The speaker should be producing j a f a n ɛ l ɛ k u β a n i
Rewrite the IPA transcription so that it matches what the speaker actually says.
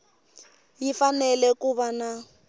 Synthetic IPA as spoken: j i f a n ɛ l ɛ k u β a n a